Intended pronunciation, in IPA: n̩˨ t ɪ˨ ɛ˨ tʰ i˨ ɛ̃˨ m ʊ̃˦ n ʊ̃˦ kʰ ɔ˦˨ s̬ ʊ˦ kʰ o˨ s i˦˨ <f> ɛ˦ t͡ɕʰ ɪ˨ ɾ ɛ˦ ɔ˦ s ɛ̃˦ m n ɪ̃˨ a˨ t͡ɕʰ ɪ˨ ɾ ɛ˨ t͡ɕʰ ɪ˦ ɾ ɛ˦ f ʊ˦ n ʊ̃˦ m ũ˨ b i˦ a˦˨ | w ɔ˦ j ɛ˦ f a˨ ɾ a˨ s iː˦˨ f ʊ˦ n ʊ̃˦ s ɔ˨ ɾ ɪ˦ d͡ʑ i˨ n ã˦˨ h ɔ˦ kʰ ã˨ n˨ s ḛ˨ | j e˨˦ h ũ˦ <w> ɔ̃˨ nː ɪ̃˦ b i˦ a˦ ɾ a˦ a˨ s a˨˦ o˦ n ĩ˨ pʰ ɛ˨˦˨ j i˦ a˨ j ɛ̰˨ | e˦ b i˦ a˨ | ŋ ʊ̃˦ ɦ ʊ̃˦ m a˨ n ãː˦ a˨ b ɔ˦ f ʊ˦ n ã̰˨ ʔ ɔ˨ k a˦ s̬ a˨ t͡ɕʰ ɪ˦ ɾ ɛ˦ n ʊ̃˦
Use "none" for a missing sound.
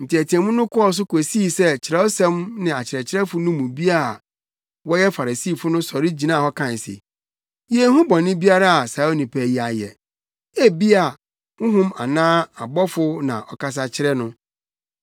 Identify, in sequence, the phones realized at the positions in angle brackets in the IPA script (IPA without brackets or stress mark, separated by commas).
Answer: s, b